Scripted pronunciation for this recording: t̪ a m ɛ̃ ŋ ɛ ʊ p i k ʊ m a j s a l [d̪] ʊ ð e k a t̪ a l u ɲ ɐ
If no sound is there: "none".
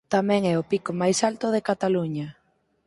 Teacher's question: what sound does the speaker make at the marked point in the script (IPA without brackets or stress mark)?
t̪